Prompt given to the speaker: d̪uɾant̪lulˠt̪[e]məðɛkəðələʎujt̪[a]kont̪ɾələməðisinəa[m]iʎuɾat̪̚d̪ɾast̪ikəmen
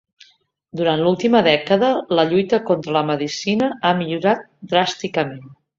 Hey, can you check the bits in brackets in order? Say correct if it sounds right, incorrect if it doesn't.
incorrect, incorrect, correct

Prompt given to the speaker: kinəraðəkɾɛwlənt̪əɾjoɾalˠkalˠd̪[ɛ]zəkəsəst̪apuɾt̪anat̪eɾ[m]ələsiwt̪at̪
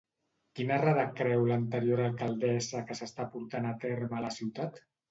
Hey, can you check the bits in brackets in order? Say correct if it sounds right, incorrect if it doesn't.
correct, correct

